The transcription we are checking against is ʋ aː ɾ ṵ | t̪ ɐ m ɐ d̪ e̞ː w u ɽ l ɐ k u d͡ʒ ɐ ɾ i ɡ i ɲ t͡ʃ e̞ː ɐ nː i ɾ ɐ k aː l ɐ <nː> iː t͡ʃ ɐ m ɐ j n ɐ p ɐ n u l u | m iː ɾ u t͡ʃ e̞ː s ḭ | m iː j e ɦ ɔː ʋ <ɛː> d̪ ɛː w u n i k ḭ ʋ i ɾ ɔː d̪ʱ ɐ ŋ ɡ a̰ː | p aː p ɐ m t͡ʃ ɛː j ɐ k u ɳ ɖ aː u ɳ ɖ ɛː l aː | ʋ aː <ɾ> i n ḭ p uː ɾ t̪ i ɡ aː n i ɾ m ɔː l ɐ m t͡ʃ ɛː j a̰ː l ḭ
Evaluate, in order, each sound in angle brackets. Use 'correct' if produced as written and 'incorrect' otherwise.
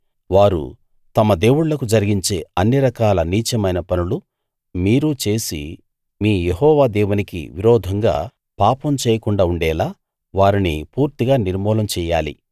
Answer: incorrect: n, incorrect: aː, correct

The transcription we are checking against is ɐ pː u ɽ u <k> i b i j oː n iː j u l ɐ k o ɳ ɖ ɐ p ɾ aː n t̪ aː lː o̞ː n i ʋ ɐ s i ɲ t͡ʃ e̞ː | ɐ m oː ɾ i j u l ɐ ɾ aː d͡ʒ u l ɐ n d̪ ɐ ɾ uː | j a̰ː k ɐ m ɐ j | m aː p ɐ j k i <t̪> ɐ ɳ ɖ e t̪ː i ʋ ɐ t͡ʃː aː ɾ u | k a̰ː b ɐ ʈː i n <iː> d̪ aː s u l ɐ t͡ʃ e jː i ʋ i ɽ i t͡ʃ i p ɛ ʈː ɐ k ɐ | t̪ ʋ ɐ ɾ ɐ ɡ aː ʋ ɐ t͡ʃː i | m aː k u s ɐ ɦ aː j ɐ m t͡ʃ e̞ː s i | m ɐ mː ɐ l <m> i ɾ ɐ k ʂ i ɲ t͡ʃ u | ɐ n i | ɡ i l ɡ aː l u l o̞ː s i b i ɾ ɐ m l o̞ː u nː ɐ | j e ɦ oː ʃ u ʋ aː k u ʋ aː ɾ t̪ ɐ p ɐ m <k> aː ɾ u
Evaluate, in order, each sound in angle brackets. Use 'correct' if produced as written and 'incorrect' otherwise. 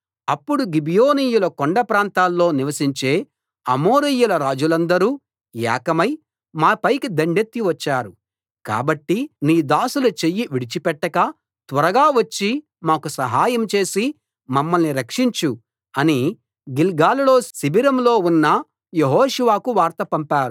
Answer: incorrect: ɡ, incorrect: d̪, correct, incorrect: n, incorrect: p

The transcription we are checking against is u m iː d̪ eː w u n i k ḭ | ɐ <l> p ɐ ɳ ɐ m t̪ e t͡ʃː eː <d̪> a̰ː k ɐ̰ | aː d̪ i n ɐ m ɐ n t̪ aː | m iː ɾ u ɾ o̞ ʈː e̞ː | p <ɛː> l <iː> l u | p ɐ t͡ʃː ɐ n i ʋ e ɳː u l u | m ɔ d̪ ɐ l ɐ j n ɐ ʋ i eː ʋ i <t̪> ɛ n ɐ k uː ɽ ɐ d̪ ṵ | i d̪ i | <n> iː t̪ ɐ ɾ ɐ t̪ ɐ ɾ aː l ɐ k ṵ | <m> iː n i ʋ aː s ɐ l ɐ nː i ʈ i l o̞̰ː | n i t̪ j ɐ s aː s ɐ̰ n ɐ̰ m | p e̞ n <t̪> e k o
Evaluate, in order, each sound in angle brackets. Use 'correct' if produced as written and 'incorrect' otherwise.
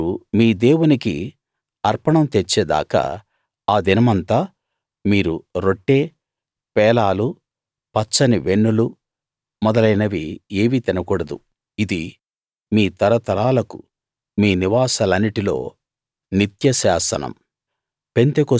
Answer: incorrect: ɾ, correct, correct, incorrect: aː, correct, incorrect: m, correct, correct

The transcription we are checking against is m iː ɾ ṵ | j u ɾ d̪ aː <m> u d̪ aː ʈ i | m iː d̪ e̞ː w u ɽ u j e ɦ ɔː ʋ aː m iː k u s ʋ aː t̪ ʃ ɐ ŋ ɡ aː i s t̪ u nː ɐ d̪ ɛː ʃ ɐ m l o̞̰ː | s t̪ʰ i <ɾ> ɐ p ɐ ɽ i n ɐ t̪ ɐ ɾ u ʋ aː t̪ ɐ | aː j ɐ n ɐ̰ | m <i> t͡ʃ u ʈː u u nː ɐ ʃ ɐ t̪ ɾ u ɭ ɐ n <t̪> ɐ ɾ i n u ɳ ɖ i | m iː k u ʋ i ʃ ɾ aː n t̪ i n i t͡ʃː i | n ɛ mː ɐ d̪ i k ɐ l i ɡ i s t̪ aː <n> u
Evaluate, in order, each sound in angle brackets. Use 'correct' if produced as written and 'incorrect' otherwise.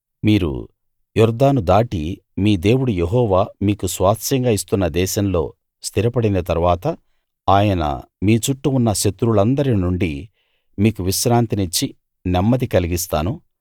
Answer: incorrect: n, correct, incorrect: iː, incorrect: d̪, correct

